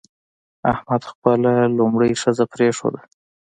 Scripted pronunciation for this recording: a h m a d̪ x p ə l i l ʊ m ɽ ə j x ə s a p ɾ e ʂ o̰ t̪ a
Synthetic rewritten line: a h m a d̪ x p ə l a l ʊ m ɽ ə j ʂ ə z a p ɾ e ʂ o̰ d̪ a